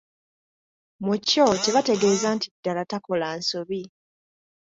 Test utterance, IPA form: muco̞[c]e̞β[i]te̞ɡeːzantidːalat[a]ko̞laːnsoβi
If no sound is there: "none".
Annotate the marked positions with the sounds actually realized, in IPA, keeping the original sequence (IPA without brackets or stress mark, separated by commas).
t, a, a